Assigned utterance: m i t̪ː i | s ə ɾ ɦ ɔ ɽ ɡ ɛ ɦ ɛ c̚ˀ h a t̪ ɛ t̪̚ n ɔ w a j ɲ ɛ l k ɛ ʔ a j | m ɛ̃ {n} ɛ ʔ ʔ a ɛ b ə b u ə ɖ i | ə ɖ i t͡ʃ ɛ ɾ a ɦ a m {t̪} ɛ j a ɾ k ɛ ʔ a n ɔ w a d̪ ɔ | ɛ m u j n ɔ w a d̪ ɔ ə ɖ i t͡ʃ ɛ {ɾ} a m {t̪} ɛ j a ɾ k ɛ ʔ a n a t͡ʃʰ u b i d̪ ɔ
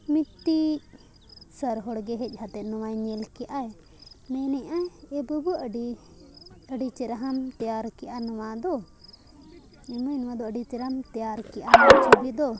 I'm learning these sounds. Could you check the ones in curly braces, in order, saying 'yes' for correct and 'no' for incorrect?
yes, yes, yes, yes

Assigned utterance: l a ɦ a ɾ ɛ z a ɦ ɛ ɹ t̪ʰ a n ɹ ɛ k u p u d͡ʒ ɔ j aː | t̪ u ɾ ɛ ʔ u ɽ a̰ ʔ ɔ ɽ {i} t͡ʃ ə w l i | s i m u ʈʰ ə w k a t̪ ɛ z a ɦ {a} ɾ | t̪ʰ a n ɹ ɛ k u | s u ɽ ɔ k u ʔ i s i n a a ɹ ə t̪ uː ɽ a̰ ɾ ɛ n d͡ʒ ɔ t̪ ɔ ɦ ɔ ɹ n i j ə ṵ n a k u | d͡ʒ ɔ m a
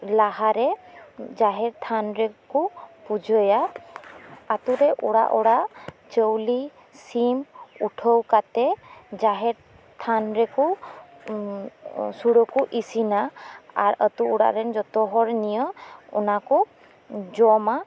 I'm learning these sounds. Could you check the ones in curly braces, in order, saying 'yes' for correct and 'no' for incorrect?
no, no

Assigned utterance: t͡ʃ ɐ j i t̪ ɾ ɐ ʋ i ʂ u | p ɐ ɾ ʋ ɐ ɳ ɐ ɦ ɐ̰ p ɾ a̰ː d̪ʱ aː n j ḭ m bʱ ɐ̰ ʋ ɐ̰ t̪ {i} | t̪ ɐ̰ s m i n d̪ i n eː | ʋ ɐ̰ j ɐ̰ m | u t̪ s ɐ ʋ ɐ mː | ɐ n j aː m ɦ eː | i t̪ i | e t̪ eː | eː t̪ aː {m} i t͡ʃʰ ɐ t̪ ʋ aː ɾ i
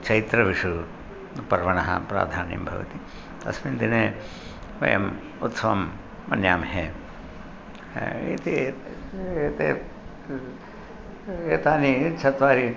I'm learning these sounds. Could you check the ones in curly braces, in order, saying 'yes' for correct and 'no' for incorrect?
yes, no

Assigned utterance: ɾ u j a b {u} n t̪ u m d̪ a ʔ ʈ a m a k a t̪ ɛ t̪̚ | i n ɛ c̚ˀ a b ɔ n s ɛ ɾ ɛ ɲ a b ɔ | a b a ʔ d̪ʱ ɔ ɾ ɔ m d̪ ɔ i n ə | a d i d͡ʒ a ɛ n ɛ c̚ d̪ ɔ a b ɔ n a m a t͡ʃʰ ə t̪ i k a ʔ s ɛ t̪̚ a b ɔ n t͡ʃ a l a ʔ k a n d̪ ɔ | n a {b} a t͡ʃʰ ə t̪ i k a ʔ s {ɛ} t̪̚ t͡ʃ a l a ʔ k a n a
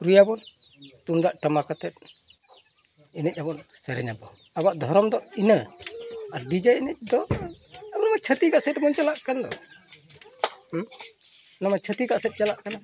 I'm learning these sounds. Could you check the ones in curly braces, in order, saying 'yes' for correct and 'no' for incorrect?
no, no, yes

